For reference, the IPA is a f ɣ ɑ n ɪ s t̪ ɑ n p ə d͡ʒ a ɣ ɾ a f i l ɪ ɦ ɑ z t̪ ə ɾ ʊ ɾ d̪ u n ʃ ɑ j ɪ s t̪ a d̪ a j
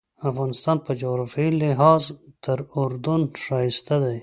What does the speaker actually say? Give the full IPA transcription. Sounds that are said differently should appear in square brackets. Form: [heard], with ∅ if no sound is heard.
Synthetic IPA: a f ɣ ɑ n ɪ s t̪ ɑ n p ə d͡ʒ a ɣ ɾ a f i l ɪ ɦ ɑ z t̪ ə ɾ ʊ ɾ d̪ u n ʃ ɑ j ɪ s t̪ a d̪ a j